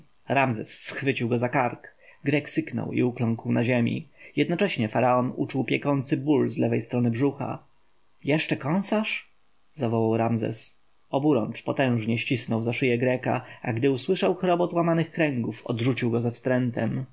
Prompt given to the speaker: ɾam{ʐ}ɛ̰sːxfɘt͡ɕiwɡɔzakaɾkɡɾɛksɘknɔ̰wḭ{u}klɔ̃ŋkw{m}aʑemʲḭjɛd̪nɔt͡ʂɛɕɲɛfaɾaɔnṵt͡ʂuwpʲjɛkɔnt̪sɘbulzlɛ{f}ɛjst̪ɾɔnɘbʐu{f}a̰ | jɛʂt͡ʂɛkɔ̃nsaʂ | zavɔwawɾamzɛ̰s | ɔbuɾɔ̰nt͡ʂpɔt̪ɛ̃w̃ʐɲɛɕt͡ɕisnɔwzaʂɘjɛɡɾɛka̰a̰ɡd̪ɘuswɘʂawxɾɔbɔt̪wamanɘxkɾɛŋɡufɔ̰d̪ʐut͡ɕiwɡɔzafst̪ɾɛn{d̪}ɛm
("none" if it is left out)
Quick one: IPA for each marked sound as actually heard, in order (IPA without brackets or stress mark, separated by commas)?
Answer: z, u, n, v, x, t̪